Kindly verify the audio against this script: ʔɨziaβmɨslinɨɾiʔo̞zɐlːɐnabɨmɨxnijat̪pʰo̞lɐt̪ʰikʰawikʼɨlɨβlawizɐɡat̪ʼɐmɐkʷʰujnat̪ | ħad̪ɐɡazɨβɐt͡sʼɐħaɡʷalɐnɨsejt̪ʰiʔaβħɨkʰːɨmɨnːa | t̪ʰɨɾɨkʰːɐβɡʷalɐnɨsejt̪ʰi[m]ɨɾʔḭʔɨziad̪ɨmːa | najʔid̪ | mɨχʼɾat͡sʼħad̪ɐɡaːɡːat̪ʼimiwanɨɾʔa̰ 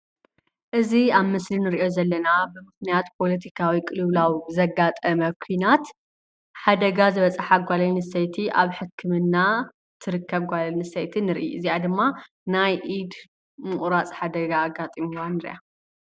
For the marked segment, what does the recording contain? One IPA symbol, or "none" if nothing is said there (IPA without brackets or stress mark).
n